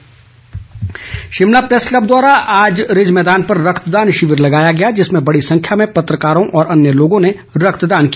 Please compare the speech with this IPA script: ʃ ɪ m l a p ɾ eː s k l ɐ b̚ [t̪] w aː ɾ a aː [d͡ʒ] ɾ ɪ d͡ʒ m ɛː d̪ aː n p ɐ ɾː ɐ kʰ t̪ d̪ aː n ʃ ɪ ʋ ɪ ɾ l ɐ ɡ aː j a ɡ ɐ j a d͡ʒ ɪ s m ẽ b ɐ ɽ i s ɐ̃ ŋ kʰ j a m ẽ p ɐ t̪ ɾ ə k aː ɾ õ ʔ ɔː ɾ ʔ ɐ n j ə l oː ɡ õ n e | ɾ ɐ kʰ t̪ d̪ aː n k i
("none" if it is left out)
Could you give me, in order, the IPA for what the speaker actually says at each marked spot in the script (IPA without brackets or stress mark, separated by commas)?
d̪, d͡ʒ